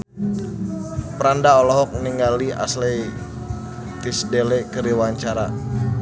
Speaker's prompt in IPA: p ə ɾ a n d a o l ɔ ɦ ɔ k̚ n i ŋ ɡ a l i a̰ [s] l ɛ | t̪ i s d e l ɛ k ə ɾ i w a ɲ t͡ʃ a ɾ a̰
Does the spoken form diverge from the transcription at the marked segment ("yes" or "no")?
no